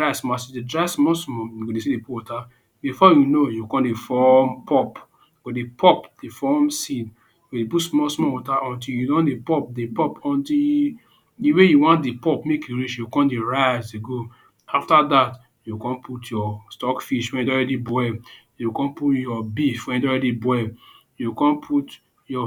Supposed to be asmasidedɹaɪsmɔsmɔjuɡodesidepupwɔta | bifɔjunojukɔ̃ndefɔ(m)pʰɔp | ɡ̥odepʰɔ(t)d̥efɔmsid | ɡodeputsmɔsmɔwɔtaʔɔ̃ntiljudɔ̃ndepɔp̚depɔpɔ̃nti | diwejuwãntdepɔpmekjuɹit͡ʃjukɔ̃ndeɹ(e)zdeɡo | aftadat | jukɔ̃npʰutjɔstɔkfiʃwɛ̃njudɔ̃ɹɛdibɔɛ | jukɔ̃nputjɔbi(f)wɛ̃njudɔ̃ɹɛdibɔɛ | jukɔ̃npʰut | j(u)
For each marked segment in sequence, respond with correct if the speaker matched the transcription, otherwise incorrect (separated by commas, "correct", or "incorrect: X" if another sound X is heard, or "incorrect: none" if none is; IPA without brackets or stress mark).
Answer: correct, incorrect: p, incorrect: a, correct, incorrect: ɔ